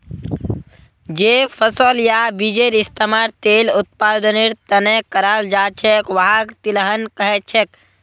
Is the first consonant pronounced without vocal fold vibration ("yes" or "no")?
no